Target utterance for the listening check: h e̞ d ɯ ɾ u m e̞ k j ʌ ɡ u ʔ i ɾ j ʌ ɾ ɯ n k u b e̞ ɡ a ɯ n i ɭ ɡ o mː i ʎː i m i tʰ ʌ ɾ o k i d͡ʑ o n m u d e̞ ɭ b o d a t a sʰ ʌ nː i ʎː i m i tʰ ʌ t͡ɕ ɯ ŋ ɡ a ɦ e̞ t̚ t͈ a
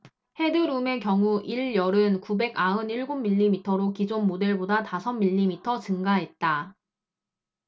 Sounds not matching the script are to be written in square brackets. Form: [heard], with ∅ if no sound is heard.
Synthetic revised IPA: h e̞ d ɯ ɾ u m e̞ k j ʌ [ŋ] u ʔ i [ɭ] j ʌ ɾ ɯ n k u b e̞ ɡ a ɯ n i ɭ ɡ o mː i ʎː i m i tʰ ʌ ɾ o k i d͡ʑ o n m [o] d e̞ ɭ b o d a t a sʰ ʌ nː i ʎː i m i tʰ ʌ t͡ɕ ɯ ŋ ɡ a ɦ e̞ t̚ t͈ a